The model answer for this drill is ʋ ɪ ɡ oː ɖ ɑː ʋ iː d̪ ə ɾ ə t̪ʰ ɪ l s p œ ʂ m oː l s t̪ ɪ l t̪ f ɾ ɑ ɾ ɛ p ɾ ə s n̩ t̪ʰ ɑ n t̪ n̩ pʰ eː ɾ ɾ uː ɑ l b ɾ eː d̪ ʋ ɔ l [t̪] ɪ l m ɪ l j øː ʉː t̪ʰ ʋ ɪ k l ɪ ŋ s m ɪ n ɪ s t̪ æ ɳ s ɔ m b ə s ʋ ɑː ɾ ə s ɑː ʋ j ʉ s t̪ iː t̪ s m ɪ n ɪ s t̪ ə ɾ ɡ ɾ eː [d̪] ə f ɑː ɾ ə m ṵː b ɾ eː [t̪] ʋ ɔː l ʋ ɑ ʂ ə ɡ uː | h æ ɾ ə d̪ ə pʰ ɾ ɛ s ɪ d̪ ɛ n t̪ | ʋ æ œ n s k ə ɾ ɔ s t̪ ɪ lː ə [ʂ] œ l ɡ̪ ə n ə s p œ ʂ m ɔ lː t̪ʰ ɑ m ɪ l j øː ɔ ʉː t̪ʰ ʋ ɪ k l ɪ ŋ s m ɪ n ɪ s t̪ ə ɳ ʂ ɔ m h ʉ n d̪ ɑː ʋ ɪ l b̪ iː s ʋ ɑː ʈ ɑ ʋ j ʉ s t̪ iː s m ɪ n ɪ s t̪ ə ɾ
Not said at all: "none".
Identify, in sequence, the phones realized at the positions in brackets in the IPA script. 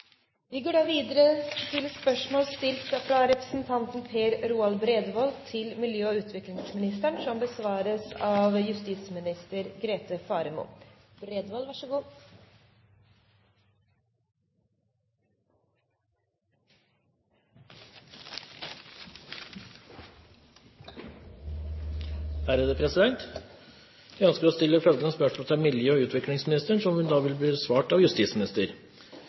t̪ʰ, t̪, d̪, f

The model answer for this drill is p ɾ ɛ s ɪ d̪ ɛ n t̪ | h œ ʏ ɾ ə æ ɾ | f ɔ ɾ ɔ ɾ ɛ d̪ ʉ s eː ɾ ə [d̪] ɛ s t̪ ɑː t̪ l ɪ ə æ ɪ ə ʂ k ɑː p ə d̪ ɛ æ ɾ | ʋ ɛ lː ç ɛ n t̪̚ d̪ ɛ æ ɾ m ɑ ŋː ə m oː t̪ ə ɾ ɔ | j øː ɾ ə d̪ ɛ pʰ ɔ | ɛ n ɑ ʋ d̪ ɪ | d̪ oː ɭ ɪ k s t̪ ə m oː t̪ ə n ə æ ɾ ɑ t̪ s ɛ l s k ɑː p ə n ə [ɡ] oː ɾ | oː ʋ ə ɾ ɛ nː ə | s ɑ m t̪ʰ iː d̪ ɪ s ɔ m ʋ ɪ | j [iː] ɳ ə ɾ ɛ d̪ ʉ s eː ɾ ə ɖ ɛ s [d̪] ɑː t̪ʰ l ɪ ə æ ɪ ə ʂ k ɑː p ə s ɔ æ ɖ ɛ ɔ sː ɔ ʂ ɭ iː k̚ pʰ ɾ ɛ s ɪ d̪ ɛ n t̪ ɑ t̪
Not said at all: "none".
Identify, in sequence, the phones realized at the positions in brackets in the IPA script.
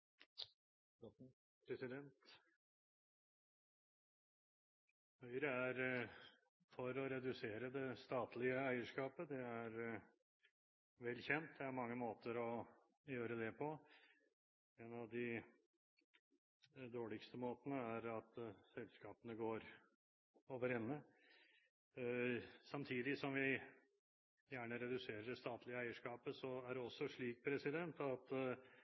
d̪, ɡ, æː, t̪

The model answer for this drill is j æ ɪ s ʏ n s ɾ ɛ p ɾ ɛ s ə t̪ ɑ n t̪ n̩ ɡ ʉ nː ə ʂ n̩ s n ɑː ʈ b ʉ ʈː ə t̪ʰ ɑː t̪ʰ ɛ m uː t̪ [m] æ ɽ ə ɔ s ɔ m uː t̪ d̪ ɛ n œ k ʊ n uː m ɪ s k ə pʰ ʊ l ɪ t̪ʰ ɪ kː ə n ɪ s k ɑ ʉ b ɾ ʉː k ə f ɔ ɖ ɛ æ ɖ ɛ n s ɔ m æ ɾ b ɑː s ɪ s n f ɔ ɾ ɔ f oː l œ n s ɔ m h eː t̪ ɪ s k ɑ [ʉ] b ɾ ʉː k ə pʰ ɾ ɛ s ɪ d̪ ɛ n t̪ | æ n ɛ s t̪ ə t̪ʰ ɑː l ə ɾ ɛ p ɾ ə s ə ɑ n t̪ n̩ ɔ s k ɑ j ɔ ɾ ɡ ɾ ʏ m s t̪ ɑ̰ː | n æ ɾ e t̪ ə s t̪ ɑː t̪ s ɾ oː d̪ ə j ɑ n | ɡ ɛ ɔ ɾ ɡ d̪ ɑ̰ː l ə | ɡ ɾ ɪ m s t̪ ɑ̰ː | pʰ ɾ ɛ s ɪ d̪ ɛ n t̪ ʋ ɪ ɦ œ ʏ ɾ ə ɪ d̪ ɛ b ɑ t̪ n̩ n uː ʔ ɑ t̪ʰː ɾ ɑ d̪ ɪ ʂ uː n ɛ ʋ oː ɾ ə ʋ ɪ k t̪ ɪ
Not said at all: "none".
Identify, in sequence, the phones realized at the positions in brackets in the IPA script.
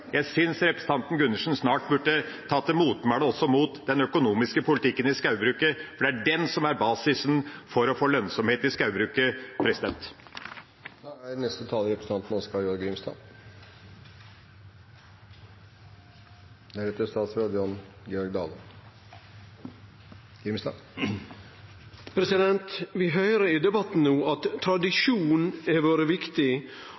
m, ʉ

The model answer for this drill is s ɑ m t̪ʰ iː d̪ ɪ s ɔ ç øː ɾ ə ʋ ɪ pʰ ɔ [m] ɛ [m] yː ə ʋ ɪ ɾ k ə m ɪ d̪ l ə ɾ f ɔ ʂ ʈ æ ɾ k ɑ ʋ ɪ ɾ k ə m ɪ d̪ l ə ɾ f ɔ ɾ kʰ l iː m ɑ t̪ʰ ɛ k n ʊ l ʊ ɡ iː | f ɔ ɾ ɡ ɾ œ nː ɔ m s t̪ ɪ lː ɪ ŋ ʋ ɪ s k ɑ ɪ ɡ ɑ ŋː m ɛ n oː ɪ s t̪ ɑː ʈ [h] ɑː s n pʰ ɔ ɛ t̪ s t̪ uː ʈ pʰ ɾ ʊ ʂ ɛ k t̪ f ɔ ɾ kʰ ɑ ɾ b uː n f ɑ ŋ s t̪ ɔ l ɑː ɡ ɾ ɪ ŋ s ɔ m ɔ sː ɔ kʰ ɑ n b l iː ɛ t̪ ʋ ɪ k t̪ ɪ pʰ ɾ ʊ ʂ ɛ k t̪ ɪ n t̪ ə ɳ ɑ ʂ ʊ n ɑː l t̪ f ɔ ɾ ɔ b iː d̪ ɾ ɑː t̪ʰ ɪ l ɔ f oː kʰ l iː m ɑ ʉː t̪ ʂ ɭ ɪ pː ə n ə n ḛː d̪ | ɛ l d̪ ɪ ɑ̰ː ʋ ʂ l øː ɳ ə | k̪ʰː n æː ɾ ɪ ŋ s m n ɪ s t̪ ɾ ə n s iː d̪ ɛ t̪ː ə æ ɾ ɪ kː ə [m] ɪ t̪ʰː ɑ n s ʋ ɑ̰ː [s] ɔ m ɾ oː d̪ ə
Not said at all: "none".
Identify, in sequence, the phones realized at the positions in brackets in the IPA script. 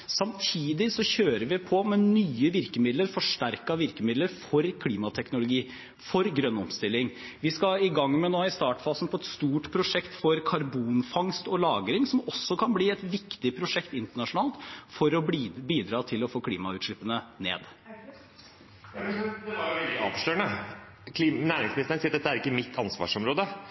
m, n, f, m, ʂ

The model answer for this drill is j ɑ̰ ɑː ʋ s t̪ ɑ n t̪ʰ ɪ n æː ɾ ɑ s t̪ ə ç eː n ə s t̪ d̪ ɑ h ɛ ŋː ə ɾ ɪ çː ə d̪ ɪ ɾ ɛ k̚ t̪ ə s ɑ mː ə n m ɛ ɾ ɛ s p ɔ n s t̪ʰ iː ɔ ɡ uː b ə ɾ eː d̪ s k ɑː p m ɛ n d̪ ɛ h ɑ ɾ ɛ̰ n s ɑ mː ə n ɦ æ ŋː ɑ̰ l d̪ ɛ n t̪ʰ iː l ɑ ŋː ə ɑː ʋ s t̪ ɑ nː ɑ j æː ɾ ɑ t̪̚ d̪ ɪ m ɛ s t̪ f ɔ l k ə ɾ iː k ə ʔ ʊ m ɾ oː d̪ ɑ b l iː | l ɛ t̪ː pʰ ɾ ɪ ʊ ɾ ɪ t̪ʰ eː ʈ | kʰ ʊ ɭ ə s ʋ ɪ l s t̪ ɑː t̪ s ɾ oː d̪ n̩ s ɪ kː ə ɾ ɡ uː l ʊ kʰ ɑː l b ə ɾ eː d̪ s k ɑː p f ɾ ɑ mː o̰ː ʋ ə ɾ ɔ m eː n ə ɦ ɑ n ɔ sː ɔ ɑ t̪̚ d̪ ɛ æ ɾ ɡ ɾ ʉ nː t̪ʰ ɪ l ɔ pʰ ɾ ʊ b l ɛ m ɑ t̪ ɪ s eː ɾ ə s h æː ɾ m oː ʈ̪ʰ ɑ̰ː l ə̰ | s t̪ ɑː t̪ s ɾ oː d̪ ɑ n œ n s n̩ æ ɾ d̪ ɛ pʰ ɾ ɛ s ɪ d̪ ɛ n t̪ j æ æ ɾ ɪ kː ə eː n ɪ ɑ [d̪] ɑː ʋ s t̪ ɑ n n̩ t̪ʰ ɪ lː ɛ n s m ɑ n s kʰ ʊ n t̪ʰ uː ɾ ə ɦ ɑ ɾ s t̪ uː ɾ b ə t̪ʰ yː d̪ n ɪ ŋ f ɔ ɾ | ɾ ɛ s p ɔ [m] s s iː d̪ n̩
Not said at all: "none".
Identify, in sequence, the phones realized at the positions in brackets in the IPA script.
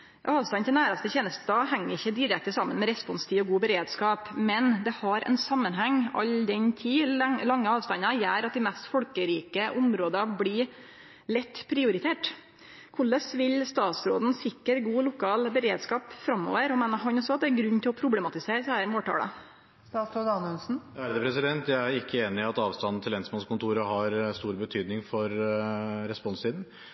t̪, n

